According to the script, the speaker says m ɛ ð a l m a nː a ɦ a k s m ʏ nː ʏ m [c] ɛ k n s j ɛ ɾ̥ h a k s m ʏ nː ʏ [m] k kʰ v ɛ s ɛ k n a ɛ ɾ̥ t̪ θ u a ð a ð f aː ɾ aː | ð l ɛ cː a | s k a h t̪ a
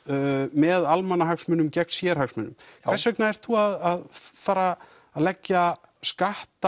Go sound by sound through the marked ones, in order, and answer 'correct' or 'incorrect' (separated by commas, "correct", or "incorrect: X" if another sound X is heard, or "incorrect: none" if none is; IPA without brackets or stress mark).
correct, correct